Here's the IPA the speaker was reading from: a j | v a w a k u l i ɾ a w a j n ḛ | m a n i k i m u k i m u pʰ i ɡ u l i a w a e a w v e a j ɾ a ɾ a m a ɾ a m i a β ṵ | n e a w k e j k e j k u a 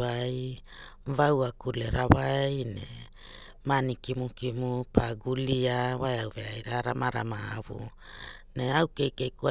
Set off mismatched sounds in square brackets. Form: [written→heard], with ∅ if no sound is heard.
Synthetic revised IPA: a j | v a w a k u l [i→e] ɾ a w a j n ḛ | m a n i k i m u k i m u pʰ [i→a] ɡ u l i a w a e a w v e a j ɾ a ɾ a m a ɾ a m [i→a] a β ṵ | n e a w k e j k e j k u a